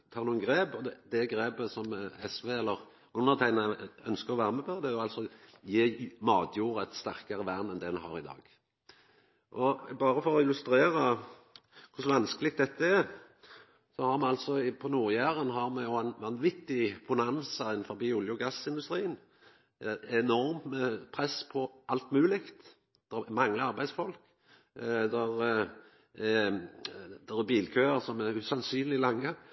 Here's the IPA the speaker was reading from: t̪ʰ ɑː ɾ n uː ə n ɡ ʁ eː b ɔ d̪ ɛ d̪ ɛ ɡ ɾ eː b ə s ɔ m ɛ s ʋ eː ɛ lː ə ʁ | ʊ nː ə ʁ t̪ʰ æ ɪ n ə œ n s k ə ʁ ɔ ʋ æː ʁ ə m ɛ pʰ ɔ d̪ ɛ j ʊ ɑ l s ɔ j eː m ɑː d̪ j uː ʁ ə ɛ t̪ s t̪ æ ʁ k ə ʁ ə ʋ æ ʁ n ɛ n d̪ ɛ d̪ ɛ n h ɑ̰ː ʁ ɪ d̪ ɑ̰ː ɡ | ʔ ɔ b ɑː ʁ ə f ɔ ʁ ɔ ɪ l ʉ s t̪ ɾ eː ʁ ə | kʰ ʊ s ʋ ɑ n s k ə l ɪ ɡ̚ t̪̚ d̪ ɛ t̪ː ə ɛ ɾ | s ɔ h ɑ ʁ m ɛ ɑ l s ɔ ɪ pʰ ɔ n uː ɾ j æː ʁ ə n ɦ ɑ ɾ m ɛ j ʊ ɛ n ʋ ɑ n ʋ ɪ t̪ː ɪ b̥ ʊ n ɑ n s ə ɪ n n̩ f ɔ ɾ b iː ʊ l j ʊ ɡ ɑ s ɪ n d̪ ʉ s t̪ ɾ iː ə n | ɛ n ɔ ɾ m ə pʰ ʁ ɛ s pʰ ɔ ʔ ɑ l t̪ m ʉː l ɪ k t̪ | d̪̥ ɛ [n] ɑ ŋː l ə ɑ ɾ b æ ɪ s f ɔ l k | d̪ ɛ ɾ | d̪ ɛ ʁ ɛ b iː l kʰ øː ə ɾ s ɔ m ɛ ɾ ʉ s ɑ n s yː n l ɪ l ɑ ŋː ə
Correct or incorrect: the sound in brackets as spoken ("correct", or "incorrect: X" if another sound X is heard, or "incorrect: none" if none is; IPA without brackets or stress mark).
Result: incorrect: m